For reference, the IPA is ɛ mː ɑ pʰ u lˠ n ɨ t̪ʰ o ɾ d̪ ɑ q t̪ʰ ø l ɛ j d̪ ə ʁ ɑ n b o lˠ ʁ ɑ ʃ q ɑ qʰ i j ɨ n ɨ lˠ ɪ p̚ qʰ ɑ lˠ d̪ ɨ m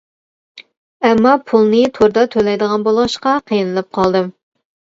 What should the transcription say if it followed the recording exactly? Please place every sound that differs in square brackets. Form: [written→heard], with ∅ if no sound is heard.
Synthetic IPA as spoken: ɛ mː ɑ pʰ u lˠ n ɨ t̪ʰ o ɾ d̪ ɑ [q→∅] t̪ʰ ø l ɛ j d̪ ə ʁ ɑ n b o lˠ ʁ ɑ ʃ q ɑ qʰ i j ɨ n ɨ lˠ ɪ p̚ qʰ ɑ lˠ d̪ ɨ m